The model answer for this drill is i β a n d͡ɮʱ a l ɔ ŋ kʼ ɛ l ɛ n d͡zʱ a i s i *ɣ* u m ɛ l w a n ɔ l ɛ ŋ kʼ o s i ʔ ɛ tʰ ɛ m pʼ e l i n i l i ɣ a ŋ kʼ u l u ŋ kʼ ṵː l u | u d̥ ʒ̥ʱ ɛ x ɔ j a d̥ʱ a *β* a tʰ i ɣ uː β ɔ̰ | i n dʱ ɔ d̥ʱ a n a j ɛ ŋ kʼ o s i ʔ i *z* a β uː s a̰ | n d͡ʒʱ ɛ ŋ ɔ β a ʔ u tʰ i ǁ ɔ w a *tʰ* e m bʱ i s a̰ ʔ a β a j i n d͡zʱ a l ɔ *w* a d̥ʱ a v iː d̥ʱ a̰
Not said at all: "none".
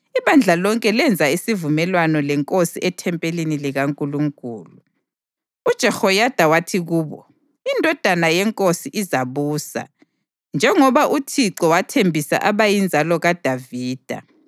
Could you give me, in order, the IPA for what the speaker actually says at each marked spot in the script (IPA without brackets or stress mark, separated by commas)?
v, w, z, tʰ, ɣ